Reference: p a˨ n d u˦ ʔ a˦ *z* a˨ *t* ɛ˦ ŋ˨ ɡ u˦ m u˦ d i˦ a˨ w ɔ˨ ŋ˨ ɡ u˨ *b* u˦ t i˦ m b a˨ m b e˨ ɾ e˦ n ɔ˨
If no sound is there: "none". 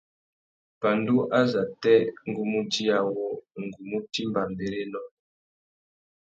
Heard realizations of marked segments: z, t, m

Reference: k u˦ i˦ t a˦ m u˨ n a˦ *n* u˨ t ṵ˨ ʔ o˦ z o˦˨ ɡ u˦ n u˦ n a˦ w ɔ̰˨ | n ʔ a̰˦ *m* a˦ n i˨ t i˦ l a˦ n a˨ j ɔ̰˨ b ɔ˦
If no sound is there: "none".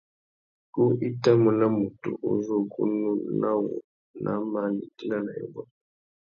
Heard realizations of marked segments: m, m

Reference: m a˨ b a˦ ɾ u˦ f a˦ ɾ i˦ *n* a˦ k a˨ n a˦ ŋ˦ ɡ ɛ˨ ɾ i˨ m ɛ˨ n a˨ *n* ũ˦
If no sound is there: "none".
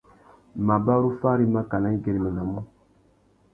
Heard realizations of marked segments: m, m

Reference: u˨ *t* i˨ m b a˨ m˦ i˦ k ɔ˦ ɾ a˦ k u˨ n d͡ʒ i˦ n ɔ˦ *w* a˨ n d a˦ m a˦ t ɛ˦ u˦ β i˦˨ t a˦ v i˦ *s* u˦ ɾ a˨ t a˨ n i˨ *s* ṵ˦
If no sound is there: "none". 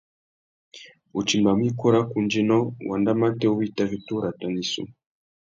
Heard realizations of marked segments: t͡ʃ, w, t, s

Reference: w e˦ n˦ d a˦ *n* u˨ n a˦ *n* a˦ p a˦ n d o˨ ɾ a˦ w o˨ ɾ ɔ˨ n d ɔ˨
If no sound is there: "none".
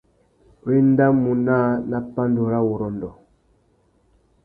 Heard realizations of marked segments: m, n

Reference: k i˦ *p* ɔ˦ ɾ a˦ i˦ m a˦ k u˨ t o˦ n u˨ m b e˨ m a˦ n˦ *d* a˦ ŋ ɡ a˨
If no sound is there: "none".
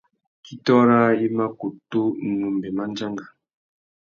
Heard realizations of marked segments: t, d͡ʒ

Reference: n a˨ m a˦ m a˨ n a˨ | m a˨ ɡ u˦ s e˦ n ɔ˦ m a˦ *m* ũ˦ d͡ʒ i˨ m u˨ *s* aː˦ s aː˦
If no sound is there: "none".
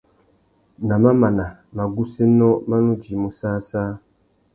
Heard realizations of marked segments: n, s

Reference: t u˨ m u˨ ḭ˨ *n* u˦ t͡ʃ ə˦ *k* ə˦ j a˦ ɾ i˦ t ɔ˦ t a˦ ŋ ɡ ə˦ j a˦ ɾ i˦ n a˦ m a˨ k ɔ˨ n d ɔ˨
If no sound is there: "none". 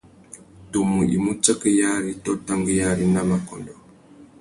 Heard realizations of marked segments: m, k

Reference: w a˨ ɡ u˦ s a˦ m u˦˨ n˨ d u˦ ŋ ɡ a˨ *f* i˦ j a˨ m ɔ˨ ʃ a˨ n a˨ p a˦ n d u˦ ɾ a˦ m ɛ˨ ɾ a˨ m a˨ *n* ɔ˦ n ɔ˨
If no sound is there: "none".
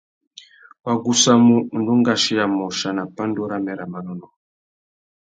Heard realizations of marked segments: ʃ, n

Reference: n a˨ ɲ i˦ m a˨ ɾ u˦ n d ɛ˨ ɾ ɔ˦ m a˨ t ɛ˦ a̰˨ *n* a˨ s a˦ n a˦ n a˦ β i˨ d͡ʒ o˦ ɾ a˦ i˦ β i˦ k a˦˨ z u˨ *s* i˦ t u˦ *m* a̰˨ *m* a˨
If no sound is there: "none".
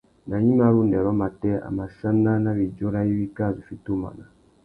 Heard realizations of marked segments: m, f, m, n

